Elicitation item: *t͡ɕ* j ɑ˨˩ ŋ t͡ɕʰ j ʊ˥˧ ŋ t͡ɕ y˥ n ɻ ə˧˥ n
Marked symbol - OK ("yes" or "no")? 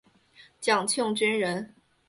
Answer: yes